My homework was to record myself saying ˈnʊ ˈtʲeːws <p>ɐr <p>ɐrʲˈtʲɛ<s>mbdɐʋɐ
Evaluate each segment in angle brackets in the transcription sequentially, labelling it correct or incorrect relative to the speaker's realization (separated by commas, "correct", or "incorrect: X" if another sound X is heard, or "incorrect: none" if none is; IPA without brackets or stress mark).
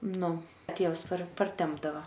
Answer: correct, correct, incorrect: none